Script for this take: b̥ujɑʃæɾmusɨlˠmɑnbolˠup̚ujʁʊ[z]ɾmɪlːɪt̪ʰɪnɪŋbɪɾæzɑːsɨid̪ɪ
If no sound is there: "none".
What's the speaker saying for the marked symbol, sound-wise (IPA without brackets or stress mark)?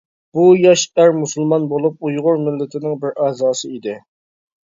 none